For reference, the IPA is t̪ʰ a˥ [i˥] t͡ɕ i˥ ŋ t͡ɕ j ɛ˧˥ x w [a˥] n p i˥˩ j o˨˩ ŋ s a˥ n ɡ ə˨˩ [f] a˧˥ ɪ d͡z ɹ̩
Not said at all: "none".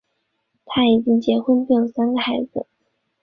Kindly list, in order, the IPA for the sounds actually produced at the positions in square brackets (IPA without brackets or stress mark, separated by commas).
i˨˩, ə˥, x